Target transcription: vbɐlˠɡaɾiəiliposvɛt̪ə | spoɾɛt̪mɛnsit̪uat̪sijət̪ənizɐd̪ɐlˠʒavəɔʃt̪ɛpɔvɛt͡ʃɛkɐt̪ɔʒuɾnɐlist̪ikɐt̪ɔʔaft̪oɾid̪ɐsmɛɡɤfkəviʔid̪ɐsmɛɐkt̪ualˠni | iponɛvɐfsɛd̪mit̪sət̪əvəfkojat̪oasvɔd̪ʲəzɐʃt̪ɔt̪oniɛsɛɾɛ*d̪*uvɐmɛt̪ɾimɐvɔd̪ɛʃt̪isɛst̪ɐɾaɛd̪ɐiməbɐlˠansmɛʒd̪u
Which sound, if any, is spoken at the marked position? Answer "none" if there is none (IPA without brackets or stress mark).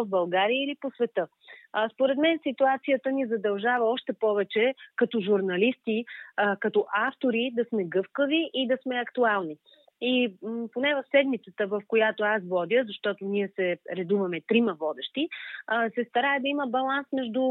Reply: d̪